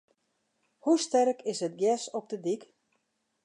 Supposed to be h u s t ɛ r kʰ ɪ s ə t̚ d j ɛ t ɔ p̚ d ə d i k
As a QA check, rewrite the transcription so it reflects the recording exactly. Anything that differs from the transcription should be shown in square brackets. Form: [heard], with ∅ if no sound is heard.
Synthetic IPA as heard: h u s t ɛ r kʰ ɪ s ə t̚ [ɡ] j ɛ [s] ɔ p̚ d ə d i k